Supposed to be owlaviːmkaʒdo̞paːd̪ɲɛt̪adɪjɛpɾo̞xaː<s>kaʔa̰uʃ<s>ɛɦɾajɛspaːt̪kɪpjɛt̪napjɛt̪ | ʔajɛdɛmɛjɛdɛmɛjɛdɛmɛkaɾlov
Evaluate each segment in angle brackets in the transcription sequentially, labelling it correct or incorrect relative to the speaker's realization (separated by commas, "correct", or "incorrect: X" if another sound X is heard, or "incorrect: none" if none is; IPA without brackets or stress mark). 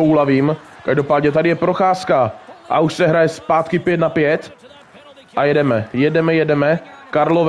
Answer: correct, correct